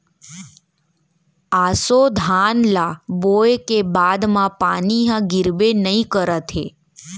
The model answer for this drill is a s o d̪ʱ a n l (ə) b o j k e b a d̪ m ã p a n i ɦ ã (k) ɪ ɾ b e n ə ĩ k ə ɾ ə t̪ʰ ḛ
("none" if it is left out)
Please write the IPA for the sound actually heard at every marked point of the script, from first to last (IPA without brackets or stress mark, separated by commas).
a, ɡ